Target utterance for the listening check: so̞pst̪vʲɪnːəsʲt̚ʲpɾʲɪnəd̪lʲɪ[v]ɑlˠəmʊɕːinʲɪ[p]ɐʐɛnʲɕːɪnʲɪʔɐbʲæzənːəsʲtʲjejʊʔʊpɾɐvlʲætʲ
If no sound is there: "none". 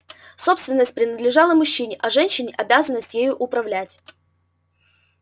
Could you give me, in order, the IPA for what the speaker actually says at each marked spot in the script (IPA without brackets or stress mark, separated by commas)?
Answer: ʐ, ʔ